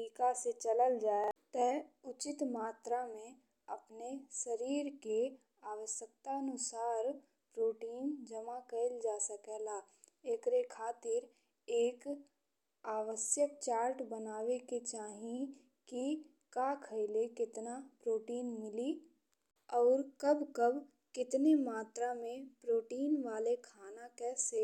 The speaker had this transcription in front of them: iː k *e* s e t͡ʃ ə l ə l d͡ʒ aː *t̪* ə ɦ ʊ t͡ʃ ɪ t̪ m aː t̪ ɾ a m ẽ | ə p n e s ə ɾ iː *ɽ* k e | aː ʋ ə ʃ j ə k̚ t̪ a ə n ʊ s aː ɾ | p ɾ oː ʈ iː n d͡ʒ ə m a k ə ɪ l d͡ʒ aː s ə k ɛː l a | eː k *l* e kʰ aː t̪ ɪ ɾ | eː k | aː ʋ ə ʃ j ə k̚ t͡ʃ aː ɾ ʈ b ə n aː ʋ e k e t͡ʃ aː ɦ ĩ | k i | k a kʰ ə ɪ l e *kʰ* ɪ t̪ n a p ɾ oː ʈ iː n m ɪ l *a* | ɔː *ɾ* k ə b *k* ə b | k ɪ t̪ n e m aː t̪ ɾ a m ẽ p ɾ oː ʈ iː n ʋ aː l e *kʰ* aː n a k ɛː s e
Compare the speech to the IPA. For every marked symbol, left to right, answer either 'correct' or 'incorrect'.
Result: incorrect, correct, incorrect, incorrect, incorrect, incorrect, correct, correct, correct

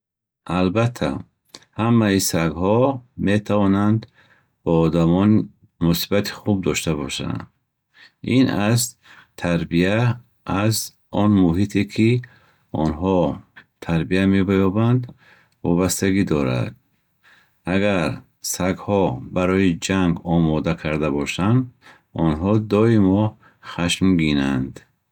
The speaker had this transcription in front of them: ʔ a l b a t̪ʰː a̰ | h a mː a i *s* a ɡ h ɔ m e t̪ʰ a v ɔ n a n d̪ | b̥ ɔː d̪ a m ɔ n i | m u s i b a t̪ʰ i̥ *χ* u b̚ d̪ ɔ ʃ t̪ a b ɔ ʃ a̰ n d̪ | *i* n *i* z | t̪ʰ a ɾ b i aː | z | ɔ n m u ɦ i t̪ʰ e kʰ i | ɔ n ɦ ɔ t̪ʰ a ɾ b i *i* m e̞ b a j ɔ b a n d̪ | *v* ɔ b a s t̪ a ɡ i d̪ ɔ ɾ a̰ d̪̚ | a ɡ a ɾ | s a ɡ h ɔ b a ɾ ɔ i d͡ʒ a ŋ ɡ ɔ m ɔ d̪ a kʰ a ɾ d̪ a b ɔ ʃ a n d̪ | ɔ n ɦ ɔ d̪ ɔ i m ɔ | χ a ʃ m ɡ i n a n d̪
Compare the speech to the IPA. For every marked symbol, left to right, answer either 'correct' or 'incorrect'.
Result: correct, correct, correct, incorrect, incorrect, correct

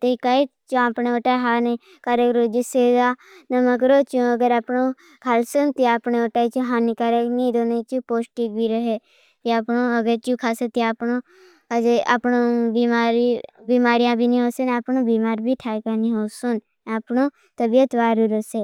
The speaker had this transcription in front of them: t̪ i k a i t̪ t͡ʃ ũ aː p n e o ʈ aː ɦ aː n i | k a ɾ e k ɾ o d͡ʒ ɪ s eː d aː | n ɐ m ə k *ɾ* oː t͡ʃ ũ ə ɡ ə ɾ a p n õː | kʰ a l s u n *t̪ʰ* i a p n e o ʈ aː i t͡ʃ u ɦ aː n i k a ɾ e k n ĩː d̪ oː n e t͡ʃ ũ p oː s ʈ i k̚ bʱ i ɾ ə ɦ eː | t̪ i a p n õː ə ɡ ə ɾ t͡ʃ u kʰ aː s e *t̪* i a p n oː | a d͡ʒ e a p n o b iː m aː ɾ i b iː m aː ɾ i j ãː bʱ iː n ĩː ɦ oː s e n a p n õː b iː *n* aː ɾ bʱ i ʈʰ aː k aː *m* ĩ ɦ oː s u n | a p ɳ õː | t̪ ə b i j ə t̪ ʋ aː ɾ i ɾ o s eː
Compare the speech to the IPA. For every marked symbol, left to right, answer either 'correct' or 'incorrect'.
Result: correct, incorrect, correct, incorrect, incorrect

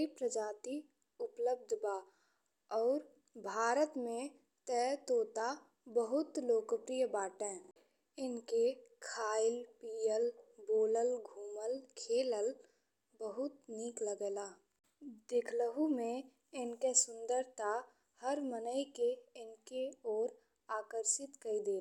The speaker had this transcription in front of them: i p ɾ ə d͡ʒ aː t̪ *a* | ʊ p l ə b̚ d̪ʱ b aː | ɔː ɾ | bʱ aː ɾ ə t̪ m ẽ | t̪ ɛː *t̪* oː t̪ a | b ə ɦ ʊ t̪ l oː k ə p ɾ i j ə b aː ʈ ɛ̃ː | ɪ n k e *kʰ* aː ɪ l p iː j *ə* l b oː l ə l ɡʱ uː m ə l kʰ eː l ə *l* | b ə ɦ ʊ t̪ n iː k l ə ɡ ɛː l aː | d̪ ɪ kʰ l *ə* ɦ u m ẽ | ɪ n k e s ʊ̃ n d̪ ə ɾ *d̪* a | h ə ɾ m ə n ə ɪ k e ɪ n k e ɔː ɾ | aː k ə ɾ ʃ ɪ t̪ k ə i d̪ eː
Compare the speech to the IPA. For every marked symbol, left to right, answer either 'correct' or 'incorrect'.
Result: incorrect, correct, correct, correct, correct, correct, incorrect

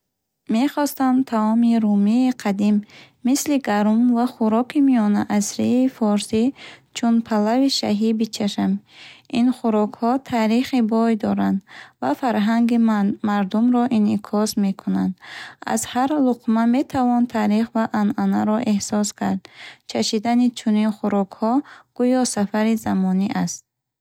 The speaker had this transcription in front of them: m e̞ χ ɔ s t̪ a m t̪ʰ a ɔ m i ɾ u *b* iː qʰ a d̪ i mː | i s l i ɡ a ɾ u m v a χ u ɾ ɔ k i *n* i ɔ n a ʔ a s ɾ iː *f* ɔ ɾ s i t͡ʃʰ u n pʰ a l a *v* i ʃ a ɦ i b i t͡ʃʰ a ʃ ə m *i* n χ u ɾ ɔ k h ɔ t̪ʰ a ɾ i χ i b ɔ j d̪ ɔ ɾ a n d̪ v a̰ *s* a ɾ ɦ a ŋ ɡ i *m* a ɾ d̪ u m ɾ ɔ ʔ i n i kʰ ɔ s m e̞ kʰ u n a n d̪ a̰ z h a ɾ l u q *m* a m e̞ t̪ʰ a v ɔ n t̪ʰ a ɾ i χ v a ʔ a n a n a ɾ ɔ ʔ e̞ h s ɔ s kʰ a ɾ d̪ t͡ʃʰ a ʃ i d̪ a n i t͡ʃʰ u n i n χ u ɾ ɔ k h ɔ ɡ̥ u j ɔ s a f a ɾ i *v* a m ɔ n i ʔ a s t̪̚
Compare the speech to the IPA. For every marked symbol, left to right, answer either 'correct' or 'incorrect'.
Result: incorrect, incorrect, correct, correct, correct, incorrect, correct, correct, incorrect

